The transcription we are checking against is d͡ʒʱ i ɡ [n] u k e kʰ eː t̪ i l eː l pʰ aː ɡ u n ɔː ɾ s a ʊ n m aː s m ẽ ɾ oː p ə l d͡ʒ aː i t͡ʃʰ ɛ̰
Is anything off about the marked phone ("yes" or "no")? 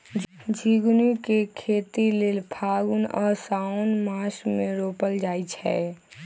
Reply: no